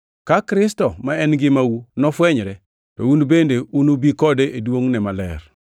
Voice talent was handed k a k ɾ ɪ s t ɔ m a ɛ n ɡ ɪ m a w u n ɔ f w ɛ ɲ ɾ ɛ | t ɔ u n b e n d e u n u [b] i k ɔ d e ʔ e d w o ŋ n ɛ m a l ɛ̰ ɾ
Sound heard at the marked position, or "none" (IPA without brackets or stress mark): b